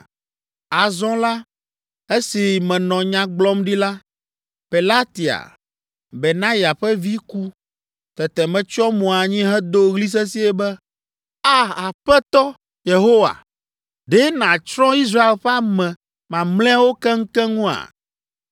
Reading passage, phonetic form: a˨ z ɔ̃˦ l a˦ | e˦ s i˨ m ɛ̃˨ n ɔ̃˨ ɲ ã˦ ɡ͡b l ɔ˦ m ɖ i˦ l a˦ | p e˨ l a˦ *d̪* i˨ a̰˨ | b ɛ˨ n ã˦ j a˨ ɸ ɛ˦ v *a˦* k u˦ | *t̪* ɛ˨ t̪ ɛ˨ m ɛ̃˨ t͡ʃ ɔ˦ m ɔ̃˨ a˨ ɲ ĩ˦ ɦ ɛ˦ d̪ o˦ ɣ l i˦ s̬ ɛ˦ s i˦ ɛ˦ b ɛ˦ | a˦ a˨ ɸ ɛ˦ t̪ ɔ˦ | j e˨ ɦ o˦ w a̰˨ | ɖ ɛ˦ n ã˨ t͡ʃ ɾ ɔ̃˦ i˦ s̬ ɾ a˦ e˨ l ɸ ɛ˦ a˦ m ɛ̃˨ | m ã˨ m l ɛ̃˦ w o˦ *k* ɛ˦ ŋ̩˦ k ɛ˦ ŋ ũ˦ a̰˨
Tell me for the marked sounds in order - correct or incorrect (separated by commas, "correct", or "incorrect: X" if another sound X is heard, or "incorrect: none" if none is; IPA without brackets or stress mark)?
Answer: incorrect: t̪, incorrect: i˦, correct, correct